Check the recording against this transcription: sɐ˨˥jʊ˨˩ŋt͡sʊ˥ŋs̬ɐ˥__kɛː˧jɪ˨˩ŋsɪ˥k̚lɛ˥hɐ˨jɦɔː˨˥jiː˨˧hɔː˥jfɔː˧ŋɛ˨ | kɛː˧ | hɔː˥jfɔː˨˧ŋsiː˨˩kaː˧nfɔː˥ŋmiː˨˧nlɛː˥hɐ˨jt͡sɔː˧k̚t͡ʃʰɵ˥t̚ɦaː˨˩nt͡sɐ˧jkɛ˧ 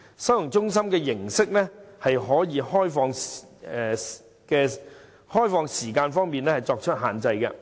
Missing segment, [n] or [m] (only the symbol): m